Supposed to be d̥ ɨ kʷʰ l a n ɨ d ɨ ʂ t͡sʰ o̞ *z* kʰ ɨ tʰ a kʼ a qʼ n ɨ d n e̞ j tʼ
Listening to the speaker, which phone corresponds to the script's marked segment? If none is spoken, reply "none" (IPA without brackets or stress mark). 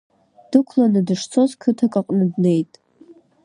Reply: z